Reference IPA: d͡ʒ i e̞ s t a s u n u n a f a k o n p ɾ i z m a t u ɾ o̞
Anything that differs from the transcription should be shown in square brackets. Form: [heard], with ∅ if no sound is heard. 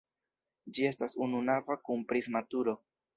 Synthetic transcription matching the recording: d͡ʒ i e̞ s t a s u n u n a [v] a k [u] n p ɾ i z m a t u ɾ o̞